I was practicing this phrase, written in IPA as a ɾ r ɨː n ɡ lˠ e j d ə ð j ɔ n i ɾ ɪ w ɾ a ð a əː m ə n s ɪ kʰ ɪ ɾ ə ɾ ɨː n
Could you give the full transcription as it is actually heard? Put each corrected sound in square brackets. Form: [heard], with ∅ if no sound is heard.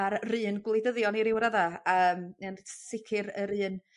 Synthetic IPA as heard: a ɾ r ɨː n ɡ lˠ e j d ə ð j ɔ n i ɾ ɪ w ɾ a ð a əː m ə n s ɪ kʰ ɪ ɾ ə ɾ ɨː n

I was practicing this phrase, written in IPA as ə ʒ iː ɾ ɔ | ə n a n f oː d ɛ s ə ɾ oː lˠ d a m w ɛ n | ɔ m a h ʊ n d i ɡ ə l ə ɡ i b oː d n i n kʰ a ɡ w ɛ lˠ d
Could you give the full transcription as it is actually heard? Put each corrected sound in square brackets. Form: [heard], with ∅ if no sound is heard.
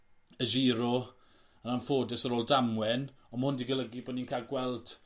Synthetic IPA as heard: ə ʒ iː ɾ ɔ | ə n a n f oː d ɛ s ə ɾ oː lˠ d a m w ɛ n | ɔ m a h ʊ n d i ɡ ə l ə ɡ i b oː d n i n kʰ a ɡ w ɛ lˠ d

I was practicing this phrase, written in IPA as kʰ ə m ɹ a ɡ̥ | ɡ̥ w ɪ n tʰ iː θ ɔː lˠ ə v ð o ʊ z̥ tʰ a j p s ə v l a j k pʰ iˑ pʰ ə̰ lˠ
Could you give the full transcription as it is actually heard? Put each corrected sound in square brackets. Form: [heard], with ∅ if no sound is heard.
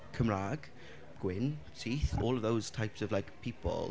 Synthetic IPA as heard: kʰ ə m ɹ a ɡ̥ | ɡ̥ w ɪ n tʰ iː θ ɔː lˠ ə v ð o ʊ z̥ tʰ a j p s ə v l a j k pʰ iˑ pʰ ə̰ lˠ

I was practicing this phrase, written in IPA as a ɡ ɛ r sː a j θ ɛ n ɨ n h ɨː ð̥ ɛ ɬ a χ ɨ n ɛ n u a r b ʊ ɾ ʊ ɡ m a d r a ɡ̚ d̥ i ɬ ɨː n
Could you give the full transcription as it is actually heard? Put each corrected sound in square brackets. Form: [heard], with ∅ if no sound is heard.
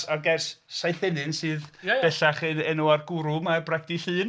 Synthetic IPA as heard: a ɡ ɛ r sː a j θ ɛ n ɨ n [s] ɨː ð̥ ɛ ɬ a χ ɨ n ɛ n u a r [ɡ] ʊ ɾ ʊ [∅] m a [b] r a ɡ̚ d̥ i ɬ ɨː n

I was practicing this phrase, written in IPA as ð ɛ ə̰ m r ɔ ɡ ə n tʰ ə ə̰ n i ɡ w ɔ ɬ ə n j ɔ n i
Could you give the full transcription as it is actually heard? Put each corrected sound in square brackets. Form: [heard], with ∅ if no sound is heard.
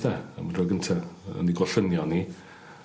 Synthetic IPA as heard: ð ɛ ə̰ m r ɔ ɡ ə n tʰ [a] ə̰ n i ɡ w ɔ ɬ ə n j ɔ n i

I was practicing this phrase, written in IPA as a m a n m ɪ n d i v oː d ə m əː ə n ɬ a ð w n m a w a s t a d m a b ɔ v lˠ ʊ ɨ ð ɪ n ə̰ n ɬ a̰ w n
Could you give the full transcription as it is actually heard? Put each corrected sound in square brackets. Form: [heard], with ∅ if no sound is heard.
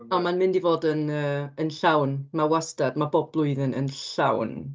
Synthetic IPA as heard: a m a n m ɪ n d i v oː d ə [n] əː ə n ɬ a [∅] w n m a w a s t a d m a b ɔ [b] lˠ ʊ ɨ ð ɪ n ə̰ n ɬ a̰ w n

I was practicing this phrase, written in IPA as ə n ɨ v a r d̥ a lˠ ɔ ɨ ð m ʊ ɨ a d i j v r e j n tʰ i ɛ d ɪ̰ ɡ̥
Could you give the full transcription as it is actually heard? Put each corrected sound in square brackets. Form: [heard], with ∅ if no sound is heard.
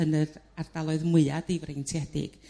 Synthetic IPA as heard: ə n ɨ [ð] a r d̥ a lˠ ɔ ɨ ð m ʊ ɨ a d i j v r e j n tʰ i ɛ d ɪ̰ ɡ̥

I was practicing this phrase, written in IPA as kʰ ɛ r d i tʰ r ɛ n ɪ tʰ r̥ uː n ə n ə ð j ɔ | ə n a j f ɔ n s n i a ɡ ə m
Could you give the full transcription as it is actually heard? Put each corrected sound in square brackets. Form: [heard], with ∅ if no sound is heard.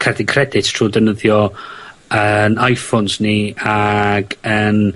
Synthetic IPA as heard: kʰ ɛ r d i [kʰ] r ɛ [d] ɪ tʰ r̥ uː [d] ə n ə ð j ɔ | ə n a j f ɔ n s n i a ɡ ə [n]

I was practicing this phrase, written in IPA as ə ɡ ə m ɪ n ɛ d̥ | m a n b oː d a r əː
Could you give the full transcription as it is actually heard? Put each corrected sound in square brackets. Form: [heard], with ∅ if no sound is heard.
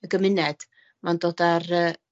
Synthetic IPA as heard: ə ɡ ə m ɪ n ɛ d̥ | m a n [d] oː d a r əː

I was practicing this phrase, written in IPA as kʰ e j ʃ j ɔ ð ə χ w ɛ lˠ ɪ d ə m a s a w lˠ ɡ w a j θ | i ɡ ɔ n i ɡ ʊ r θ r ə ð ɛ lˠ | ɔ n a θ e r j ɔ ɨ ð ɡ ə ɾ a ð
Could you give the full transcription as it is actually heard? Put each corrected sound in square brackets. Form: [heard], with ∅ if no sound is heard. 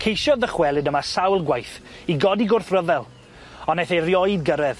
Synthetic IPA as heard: kʰ e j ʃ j ɔ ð ə χ w ɛ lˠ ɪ d ə m a s a w lˠ ɡ w a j θ | i ɡ ɔ [d] i ɡ ʊ r θ r ə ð ɛ lˠ | ɔ n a θ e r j ɔ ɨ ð ɡ ə ɾ [ɛ] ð

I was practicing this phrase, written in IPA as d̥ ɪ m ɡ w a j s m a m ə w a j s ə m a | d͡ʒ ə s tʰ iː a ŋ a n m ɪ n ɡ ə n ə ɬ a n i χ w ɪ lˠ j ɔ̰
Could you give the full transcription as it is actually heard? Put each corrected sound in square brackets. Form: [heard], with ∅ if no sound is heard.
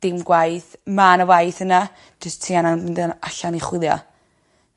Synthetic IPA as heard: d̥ ɪ m ɡ w a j [θ] m a [n] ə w a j [θ] ə [n] a | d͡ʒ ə s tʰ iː a [n] a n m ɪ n [d] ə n [a] ɬ a n i χ w ɪ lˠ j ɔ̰

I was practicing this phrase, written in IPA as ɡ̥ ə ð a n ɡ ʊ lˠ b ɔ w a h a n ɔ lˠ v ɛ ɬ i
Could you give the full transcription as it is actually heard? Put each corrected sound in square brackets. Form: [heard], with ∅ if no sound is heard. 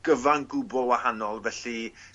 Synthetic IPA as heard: ɡ̥ ə [v] a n ɡ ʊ [∅] b ɔ w a h a n ɔ lˠ v ɛ ɬ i

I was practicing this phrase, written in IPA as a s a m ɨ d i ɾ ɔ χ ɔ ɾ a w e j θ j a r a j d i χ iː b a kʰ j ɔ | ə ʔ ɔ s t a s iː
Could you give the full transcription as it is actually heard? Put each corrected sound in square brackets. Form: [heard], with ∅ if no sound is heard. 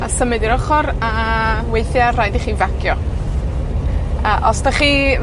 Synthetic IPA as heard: a s [ə] m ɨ d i ɾ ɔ χ ɔ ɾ a w e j θ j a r a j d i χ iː [v] a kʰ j ɔ | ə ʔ ɔ s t a [χ] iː

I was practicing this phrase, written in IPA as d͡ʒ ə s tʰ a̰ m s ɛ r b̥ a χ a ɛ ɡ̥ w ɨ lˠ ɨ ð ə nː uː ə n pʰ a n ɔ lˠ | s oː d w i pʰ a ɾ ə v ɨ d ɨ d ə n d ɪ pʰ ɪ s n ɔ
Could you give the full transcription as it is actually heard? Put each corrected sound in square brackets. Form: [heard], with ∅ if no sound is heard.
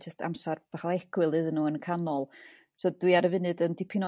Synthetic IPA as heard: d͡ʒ ə s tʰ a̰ m s [a] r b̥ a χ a ɛ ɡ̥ w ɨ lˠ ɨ ð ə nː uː ə n [kʰ] a n ɔ lˠ | s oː d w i [∅] a ɾ ə v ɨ [n] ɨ d ə n d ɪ pʰ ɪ [∅] n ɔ

